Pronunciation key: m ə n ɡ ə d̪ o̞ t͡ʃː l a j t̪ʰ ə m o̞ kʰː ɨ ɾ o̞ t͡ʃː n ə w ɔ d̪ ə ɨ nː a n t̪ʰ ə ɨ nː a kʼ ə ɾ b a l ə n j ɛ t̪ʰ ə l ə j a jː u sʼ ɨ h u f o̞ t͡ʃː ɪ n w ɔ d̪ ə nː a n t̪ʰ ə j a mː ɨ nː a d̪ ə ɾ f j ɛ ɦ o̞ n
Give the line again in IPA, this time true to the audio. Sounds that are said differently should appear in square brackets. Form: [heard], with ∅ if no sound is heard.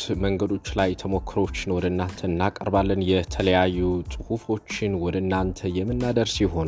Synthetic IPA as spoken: m ə [ŋ] ɡ ə d̪ o̞ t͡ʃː l a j t̪ʰ ə m o̞ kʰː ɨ ɾ o̞ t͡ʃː n ə w ɔ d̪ ə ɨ nː a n t̪ʰ ə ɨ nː a kʼ ə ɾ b a [lː] ə n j ɛ t̪ʰ ə l ə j a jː u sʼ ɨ h u f o̞ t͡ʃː ɪ n w ɔ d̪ ə nː a n t̪ʰ ə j [ɛ] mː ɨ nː a d̪ ə ɾ [s] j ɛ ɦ o̞ n